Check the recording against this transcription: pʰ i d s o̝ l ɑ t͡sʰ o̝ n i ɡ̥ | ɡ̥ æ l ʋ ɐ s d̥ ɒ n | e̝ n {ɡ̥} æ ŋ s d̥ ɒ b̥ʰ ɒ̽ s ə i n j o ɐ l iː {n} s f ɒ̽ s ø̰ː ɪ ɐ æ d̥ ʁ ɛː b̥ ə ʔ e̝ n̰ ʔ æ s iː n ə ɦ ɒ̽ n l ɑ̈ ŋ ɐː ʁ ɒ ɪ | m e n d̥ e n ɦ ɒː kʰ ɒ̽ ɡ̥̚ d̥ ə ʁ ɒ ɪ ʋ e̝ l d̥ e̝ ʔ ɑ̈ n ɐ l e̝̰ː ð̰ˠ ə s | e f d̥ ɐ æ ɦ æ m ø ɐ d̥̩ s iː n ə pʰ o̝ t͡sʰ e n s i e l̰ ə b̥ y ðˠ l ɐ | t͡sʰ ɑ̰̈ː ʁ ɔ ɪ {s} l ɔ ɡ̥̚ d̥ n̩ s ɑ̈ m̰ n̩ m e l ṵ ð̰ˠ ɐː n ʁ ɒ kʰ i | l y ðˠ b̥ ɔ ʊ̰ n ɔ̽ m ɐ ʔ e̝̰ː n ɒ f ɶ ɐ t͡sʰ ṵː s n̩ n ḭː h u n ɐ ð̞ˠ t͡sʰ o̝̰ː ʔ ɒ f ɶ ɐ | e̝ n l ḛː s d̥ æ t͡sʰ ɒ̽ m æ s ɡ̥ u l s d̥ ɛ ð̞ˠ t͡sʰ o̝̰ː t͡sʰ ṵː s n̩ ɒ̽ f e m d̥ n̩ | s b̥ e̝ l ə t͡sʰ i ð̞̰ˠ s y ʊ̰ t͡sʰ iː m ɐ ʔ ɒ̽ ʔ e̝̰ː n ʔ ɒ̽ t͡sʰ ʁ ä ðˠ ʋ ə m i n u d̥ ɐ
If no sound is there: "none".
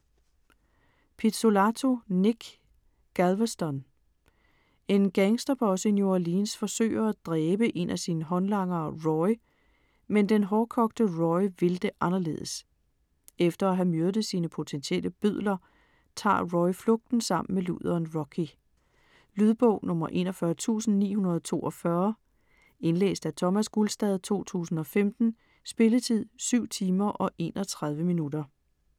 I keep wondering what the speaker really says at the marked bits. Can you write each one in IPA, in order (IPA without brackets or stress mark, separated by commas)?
ɡ̥, n, f